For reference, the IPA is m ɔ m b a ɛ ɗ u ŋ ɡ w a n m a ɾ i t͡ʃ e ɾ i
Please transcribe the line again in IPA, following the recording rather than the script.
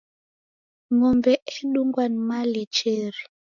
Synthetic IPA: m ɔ m b ɛ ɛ ɗ u ŋ ɡ w a n m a l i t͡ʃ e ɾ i